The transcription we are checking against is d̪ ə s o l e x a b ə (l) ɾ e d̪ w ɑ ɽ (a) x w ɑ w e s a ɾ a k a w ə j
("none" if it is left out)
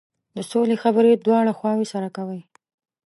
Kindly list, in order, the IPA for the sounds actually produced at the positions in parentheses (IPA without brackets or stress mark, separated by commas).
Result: none, a